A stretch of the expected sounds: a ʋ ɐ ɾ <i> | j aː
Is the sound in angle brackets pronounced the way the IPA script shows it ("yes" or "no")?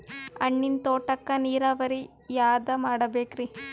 yes